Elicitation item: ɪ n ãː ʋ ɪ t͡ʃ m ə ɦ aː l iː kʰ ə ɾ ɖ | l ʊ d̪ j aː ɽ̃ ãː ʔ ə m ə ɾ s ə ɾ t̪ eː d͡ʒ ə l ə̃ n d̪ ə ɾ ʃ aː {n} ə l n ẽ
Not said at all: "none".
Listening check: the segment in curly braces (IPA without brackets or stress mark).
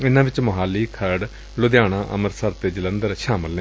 m